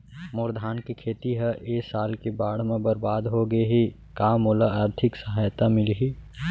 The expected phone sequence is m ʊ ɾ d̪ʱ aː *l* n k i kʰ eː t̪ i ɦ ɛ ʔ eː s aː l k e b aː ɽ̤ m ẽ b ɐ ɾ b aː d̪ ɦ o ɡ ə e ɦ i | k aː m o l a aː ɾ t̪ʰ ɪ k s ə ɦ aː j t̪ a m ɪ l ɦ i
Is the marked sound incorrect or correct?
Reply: incorrect: none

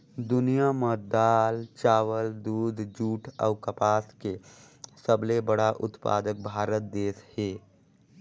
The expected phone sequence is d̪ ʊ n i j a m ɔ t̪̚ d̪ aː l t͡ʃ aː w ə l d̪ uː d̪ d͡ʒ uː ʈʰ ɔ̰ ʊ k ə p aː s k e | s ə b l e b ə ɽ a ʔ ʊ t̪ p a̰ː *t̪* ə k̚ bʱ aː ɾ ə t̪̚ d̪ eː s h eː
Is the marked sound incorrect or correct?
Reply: incorrect: d̪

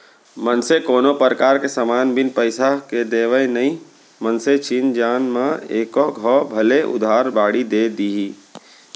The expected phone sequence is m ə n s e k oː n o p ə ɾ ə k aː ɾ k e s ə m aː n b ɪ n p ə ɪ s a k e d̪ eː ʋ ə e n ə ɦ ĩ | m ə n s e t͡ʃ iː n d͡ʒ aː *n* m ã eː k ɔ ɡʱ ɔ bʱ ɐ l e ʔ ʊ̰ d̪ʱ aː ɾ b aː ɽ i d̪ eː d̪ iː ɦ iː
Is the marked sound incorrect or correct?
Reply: correct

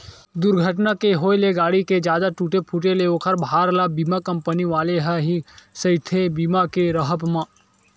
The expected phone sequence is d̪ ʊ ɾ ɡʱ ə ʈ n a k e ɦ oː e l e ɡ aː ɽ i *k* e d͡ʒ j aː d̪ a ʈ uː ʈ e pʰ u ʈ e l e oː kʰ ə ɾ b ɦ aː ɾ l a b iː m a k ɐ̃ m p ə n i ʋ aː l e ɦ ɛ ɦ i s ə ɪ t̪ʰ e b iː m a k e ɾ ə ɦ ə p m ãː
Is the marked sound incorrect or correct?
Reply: correct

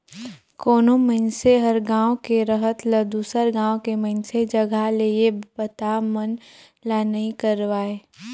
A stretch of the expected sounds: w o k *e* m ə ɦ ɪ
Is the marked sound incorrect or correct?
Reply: correct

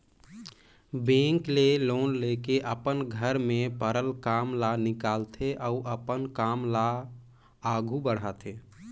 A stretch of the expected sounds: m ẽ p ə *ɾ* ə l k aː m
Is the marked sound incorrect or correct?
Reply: correct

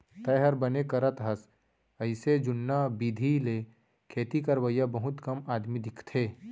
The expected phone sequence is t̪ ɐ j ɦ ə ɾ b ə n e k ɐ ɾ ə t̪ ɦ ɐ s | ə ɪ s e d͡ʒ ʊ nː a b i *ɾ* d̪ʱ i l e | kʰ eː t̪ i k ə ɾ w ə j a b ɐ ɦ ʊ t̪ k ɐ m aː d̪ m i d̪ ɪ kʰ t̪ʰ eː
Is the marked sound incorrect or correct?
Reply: incorrect: none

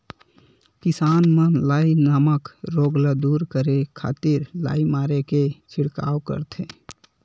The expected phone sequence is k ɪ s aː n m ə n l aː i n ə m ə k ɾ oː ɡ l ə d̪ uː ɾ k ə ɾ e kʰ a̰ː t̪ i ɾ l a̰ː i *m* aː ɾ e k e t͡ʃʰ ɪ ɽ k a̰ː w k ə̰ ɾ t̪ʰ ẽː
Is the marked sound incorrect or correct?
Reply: correct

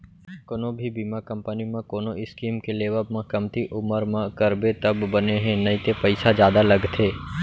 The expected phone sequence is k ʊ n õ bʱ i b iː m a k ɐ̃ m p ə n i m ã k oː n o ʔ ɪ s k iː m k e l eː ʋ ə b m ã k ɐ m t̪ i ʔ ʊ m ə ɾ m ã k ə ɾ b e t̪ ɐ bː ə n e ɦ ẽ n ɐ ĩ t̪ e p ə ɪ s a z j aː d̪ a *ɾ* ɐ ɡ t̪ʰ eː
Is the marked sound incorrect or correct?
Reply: incorrect: l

